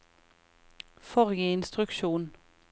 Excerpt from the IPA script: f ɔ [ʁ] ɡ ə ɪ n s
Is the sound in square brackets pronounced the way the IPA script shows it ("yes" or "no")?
yes